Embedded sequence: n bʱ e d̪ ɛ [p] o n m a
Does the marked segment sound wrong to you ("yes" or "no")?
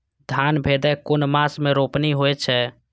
yes